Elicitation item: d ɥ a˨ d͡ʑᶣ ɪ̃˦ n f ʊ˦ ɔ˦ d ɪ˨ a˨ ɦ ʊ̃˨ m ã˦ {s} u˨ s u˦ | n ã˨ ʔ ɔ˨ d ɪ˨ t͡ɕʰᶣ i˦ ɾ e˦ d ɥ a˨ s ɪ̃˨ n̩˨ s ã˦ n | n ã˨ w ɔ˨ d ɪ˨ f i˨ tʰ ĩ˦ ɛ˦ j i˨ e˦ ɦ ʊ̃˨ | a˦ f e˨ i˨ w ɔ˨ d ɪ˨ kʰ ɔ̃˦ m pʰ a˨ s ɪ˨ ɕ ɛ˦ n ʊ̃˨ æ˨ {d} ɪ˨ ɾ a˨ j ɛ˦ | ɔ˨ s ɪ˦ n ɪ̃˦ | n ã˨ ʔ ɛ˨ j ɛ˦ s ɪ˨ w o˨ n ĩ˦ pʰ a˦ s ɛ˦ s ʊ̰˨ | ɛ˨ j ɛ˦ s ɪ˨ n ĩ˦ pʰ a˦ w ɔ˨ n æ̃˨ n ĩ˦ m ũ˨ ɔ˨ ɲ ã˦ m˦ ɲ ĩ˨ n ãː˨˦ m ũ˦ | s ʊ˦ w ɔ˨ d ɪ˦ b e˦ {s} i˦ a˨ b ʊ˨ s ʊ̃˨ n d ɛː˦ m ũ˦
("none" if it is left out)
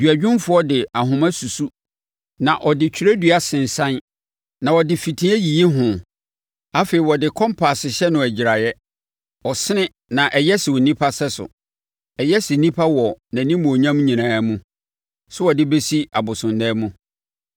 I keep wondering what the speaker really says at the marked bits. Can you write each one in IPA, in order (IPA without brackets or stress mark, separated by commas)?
s, d͡ʑ, s